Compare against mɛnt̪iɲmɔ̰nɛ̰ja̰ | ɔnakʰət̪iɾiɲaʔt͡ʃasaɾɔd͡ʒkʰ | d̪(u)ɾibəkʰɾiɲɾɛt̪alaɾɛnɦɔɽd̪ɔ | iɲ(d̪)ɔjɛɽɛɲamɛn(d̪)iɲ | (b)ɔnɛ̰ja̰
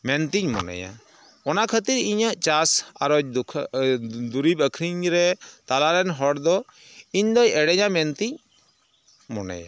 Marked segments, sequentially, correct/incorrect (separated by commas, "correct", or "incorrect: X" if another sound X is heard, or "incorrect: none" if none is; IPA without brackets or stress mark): correct, correct, incorrect: t̪, incorrect: m